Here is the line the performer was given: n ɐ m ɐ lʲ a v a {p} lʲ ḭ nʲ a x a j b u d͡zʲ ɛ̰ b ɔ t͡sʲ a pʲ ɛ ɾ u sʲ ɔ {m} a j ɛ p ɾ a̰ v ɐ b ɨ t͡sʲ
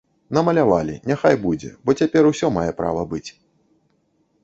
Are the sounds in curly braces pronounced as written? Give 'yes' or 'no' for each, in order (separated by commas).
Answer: no, yes